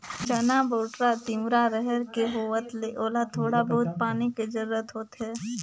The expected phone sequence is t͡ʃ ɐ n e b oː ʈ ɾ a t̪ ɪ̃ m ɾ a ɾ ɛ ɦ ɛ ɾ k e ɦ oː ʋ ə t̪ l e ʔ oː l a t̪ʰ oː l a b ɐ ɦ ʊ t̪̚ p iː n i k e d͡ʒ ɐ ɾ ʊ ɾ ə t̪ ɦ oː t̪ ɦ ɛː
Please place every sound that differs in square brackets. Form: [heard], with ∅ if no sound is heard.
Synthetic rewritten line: t͡ʃ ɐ n [a] b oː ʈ ɾ a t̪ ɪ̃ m ɾ a ɾ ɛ ɦ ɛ ɾ k e ɦ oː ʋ ə t̪ l e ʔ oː l a t̪ʰ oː [ɽ] a b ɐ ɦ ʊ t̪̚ p [aː] n i k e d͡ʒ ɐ ɾ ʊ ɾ ə t̪ ɦ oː t̪ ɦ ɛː